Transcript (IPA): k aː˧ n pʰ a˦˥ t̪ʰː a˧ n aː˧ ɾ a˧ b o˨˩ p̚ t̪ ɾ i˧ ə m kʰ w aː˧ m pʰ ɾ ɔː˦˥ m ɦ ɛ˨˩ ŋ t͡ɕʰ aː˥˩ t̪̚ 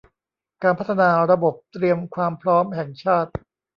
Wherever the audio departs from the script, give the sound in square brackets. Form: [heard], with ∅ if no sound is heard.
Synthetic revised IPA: k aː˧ n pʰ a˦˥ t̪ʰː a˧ n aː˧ ɾ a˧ b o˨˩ p̚ t̪ ɾ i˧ ə m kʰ w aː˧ m pʰ ɾ ɔː˦˥ m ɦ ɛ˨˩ ŋ t͡ɕʰ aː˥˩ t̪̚